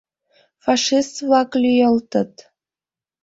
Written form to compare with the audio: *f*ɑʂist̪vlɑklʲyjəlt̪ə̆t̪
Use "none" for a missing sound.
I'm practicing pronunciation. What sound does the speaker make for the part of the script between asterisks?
f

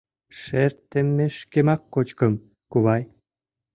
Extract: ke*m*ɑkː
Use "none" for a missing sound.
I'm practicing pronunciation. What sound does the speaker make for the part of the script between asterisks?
m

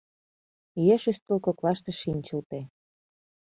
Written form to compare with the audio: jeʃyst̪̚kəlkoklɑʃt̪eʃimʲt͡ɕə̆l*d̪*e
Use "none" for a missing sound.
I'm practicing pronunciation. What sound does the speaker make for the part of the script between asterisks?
t̪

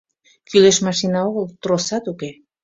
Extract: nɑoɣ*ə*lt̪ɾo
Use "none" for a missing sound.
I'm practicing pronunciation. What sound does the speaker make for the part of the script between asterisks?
ə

